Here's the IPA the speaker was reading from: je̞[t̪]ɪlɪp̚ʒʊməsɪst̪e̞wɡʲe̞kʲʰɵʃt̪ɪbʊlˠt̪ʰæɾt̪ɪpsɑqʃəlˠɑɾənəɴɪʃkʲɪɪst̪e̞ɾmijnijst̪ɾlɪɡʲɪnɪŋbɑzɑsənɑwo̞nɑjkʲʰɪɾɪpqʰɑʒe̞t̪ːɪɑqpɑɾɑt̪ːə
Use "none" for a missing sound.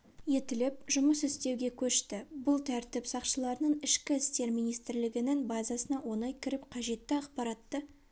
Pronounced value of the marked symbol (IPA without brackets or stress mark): t̪